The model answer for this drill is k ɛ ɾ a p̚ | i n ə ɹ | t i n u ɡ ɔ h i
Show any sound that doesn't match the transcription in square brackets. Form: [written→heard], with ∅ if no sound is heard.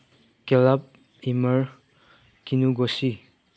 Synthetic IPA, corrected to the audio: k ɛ [ɾ→l] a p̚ | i [n→m] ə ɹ | [t→k] i n u ɡ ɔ [h→s] i